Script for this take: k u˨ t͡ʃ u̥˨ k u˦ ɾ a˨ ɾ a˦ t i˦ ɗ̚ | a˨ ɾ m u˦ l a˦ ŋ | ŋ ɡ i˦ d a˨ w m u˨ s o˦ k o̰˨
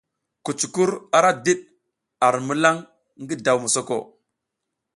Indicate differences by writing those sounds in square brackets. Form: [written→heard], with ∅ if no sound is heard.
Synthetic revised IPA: k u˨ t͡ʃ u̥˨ k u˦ ɾ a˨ ɾ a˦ [t→d] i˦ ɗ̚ | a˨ ɾ m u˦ l a˦ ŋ | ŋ ɡ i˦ d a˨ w m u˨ s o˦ k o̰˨